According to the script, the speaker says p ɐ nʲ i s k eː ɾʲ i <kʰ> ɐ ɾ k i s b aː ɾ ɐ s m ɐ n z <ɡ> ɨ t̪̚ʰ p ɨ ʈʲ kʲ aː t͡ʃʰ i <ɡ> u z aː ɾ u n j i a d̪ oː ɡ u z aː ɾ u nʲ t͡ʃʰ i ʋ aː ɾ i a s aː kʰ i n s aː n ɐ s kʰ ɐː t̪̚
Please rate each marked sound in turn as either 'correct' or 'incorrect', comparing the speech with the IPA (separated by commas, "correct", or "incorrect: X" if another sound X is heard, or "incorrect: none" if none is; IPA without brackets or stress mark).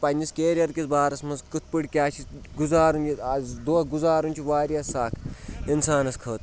incorrect: none, incorrect: k, correct